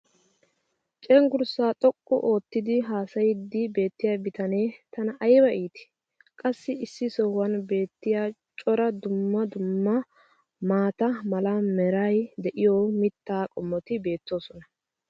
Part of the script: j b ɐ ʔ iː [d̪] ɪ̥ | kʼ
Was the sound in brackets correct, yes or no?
no